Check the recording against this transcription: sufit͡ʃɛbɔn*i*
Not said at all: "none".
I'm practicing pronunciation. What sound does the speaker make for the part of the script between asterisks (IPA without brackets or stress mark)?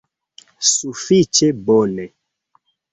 ɛ